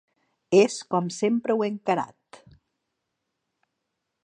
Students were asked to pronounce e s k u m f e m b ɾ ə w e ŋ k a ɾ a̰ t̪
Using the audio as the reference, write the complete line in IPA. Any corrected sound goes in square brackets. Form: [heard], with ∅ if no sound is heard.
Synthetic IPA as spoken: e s k [ɔ] m [s] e m [p] ɾ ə w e ŋ k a ɾ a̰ t̪